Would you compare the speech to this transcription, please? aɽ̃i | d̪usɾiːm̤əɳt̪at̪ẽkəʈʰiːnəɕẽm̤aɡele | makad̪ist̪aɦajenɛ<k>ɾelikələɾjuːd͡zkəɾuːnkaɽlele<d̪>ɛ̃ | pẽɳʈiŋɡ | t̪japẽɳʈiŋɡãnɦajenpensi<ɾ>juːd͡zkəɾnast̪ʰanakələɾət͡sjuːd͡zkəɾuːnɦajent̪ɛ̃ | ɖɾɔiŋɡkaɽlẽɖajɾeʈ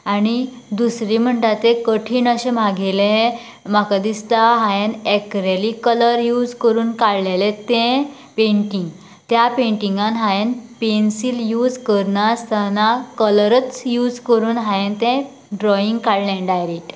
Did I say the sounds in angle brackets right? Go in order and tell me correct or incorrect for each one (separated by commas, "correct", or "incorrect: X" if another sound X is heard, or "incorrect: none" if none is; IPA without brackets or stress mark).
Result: correct, incorrect: t̪, incorrect: l